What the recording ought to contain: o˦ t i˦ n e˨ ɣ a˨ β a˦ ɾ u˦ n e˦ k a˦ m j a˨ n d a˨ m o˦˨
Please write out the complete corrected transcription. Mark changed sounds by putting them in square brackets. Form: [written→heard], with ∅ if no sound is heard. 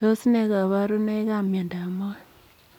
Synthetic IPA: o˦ [t→s] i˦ n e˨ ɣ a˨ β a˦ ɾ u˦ n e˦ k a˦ m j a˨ n d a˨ m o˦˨

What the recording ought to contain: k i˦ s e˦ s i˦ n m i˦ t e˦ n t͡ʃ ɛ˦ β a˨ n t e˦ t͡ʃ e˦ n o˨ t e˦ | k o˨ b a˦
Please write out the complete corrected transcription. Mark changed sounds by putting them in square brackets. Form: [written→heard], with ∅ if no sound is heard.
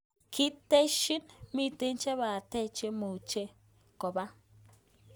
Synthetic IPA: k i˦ [s→t] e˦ [s→ʃ] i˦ n m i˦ t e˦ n t͡ʃ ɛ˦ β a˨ [n→∅] t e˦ t͡ʃ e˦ [n→m] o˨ [t→t͡ʃ] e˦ | k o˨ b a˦

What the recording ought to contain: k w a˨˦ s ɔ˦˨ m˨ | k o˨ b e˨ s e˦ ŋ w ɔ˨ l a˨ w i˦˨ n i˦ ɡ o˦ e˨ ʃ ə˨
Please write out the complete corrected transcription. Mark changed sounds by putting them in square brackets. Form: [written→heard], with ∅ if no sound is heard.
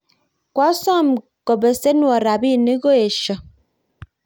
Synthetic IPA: k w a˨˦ s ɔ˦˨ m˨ | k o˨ b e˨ s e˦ [ŋ→n] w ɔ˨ [l→ɾ] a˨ [w→b] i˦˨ n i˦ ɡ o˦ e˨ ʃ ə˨

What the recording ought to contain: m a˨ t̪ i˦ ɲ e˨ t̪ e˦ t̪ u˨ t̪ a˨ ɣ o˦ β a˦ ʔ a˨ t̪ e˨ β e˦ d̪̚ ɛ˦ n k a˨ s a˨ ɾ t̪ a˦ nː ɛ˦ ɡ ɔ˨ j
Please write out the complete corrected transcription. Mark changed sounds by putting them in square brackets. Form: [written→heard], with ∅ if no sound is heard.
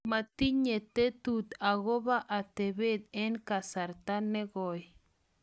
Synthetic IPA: m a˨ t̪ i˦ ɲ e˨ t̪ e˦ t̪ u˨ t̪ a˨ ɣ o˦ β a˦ ʔ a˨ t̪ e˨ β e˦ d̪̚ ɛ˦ n k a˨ s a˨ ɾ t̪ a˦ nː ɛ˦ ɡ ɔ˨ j

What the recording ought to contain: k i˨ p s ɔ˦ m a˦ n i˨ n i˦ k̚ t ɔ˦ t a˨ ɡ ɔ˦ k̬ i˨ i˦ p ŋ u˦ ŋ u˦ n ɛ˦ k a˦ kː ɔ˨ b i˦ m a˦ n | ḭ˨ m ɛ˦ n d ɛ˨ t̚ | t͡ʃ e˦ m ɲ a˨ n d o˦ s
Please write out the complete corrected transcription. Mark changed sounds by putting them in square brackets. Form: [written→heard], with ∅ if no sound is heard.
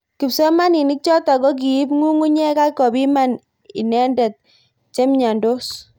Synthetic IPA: k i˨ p s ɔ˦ m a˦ n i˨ n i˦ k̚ [t→t͡ʃ] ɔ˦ t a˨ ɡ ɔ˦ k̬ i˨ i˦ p ŋ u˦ ŋ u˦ [n→ɲ] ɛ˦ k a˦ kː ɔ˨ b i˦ m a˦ n | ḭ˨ [m→n] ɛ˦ n d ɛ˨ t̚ | t͡ʃ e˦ m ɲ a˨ n d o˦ s

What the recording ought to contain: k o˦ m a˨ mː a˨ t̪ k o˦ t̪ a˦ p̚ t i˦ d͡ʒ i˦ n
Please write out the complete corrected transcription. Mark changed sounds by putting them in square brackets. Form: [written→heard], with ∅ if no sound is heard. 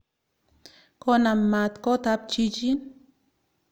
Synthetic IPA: k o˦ [m→n] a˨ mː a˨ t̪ k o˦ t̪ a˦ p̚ [t→t͡ʃ] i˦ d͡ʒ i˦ n

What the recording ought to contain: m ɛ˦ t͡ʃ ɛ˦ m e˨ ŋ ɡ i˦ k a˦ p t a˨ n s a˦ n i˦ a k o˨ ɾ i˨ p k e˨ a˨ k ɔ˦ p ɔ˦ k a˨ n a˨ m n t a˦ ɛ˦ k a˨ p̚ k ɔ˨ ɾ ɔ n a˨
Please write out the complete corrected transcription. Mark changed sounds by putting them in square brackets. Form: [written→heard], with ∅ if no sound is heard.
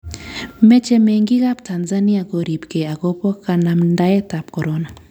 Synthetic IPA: m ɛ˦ t͡ʃ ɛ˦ m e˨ ŋ ɡ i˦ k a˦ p t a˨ n [s→z] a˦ n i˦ a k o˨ ɾ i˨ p k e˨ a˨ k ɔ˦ p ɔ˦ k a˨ n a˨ m n [t→d] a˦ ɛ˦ [k→t] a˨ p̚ k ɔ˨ ɾ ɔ n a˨

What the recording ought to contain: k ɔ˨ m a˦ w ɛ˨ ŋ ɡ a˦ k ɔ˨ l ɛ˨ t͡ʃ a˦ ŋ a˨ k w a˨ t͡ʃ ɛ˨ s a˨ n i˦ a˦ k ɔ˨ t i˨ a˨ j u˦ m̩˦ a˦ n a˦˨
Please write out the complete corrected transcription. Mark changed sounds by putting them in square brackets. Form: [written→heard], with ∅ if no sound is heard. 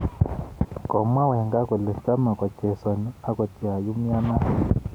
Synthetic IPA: k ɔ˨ m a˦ w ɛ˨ ŋ ɡ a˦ k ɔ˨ l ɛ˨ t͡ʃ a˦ [ŋ→m] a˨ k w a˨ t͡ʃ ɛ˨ s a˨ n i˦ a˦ k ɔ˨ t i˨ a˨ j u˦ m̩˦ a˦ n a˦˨

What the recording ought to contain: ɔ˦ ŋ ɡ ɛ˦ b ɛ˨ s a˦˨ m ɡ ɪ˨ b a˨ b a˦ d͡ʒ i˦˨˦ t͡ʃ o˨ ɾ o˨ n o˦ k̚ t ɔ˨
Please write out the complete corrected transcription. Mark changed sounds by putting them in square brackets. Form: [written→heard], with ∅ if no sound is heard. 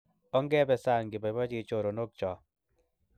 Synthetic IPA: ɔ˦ ŋ ɡ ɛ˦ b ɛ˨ s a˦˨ [m→ŋ] ɡ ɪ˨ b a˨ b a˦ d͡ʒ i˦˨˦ t͡ʃ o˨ ɾ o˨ n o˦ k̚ [t→t͡ʃ] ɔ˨

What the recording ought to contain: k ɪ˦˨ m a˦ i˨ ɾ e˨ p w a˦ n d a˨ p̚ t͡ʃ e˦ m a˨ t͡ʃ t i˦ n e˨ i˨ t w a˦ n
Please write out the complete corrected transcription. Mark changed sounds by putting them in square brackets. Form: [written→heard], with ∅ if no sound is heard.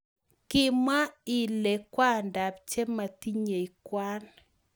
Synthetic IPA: k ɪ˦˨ m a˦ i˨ [ɾ→l] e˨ [p→k] w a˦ n d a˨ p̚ t͡ʃ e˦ m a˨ [t͡ʃ→∅] t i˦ [n→ɲ] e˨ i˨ [t→k] w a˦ n

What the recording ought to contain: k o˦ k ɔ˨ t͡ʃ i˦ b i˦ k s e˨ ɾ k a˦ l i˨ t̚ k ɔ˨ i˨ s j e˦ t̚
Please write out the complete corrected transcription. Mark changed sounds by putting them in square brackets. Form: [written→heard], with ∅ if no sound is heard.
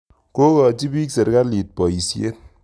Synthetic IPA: k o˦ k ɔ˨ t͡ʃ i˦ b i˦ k s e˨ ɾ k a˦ l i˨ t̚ [k→p] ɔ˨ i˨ s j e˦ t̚

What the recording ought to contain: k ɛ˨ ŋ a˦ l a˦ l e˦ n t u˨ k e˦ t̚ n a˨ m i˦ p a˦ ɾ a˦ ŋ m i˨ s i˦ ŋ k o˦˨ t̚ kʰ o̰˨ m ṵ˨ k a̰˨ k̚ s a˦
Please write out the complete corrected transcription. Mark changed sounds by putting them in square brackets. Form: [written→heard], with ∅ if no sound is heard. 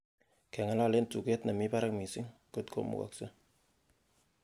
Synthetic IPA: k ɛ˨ ŋ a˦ l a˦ l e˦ n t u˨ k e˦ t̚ n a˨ m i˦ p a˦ ɾ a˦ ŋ m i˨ s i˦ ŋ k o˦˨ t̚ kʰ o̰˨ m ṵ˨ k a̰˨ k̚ s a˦

